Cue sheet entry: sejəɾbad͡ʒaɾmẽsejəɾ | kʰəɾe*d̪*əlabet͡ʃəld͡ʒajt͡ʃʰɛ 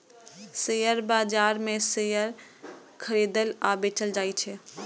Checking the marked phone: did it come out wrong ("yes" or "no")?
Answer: no